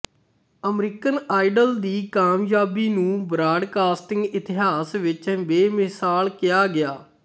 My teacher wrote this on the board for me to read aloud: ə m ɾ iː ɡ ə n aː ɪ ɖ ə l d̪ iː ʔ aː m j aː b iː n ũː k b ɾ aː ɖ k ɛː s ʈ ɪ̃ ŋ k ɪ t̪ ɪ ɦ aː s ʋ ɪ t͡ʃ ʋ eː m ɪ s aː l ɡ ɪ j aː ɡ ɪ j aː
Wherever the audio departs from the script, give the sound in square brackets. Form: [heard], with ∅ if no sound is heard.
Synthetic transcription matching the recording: ə m ɾ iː [k] ə n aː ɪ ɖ ə l d̪ iː [k] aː m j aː b iː n ũː [∅] b ɾ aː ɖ k [aː] s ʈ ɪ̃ ŋ [ɡ] ɪ t̪ ɪ ɦ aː s ʋ ɪ t͡ʃ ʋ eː m ɪ s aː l [k] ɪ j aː ɡ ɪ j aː